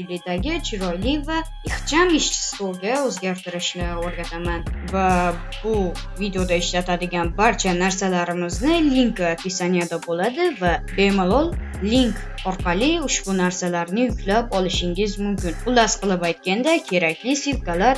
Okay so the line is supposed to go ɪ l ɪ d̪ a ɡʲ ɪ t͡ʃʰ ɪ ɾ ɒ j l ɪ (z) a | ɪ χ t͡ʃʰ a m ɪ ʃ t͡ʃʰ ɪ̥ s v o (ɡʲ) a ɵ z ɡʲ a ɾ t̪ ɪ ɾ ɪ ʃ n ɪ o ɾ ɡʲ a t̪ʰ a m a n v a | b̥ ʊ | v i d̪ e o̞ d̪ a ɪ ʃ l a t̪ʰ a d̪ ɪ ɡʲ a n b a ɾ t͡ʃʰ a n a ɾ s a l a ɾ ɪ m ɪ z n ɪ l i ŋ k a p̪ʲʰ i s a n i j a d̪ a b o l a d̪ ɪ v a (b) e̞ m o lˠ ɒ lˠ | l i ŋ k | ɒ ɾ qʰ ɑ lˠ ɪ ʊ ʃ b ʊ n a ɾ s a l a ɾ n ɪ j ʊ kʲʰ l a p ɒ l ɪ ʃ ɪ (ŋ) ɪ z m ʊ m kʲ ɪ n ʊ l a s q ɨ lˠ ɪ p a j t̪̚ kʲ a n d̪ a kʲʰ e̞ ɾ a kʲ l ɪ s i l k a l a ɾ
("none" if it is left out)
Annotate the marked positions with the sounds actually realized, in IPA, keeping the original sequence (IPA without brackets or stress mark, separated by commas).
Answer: v, ɡʲ, b, ŋ